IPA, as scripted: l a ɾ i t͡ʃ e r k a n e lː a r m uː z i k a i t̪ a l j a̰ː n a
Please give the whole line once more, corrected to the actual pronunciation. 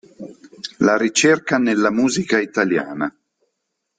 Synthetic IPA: l a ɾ i t͡ʃ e r k a n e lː a m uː z i k a i t̪ a l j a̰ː n a